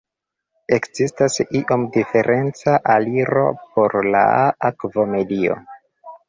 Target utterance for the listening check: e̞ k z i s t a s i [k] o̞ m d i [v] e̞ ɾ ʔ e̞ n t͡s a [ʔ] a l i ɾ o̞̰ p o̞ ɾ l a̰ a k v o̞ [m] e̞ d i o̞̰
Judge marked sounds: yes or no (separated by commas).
no, no, yes, yes